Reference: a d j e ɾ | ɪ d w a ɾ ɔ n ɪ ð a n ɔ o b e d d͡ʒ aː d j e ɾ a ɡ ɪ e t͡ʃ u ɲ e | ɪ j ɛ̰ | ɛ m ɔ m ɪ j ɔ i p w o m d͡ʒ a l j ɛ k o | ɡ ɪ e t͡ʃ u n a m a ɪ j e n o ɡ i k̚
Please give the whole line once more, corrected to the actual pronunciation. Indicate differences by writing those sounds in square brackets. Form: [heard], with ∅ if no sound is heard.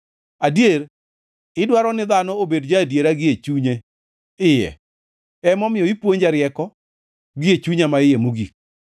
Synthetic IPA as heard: a d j e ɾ | ɪ d w a ɾ ɔ n ɪ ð a n ɔ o b e d d͡ʒ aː d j e ɾ a ɡ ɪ e t͡ʃ u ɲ e | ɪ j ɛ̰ | ɛ m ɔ m ɪ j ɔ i p w o [ɲ] d͡ʒ a [ɾ] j ɛ k [ɔ] | ɡ ɪ e t͡ʃ u [ɲ] a m a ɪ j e [m] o ɡ i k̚